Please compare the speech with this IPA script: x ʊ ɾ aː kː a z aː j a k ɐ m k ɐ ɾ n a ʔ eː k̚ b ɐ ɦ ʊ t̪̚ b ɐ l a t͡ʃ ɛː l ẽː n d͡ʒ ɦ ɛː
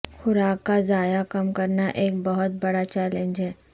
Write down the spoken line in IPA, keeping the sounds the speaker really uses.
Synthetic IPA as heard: x ʊ ɾ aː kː a z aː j a k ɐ m k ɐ ɾ n a ʔ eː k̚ b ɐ ɦ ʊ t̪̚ b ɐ ɽ a t͡ʃ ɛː l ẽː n d͡ʒ ɦ ɛː